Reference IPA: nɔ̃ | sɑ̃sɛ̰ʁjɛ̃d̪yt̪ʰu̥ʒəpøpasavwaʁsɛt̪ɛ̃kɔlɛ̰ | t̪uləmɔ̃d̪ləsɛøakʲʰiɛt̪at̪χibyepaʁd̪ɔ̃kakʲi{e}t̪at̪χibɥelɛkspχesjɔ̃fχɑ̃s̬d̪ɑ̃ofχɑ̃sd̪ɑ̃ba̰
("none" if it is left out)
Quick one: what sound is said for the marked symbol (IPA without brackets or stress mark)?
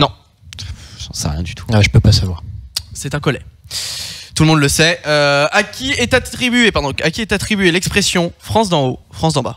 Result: ɛ